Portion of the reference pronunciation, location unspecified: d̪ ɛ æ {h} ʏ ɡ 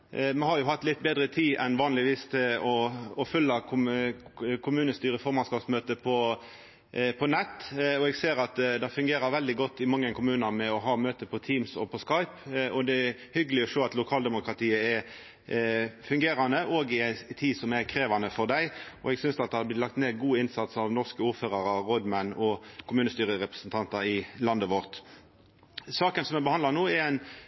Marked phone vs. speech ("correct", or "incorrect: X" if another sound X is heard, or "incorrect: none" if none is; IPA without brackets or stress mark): correct